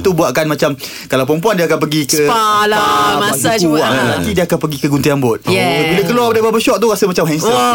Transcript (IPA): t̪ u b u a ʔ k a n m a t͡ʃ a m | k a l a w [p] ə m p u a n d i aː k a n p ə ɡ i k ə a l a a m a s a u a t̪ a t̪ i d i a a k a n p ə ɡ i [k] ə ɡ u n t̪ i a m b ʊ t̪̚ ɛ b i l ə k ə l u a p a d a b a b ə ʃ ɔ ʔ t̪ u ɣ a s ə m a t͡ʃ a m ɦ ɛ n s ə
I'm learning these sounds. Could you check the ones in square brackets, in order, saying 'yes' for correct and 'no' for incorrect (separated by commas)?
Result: yes, yes